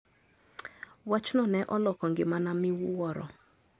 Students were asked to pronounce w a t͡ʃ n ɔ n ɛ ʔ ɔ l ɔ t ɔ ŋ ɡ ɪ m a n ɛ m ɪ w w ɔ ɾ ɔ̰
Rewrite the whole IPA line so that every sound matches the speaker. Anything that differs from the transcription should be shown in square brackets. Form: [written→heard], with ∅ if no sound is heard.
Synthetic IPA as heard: w a t͡ʃ n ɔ n ɛ ʔ ɔ l ɔ [t→k] ɔ ŋ ɡ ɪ m a n [ɛ→a] m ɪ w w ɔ ɾ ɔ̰